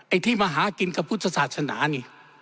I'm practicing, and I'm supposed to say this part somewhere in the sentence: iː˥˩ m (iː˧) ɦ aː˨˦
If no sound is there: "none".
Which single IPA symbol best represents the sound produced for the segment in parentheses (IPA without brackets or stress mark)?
aː˧